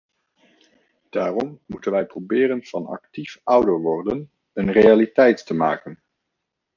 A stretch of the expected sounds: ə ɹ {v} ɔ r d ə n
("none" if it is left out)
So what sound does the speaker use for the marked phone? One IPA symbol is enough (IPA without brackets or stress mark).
ʋ